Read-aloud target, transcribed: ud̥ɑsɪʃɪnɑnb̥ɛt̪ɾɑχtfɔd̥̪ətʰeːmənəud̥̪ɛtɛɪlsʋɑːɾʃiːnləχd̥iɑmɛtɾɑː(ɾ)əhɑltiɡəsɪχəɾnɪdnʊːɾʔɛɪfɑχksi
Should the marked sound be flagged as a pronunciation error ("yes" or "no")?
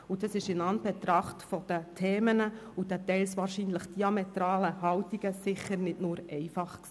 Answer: yes